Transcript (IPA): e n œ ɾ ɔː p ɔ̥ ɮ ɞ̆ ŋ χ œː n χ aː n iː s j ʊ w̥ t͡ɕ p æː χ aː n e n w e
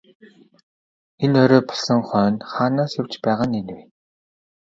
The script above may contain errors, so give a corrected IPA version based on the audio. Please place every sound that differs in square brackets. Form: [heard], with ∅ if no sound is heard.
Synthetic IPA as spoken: e n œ ɾ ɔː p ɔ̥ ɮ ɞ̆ ŋ χ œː n χ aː n [aː] s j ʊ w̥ t͡ɕ p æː [ʁ] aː n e n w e